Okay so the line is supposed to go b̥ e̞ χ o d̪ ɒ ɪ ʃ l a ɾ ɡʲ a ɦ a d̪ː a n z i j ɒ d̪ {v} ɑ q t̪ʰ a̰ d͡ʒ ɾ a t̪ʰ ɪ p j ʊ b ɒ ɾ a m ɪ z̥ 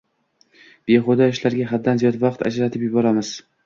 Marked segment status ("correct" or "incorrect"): correct